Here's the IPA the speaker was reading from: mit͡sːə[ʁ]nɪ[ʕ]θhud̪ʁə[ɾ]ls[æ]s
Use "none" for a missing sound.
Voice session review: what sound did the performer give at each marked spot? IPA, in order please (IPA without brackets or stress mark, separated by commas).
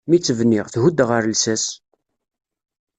v, ʁ, ɾ, æ